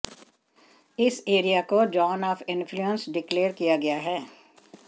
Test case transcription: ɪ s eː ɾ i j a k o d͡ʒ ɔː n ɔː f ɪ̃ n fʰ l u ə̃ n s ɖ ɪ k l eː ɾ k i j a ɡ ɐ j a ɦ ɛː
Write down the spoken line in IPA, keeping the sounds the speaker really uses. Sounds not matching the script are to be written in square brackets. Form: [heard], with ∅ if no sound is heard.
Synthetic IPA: ɪ s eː ɾ i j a k o d͡ʒ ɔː n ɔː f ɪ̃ n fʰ l u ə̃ n s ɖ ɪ k l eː ɾ k i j a ɡ ɐ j a ɦ ɛː